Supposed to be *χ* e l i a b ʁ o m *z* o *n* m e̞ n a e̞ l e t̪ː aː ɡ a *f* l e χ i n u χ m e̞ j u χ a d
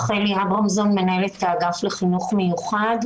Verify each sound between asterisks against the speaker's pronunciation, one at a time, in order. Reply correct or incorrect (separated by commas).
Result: correct, correct, correct, correct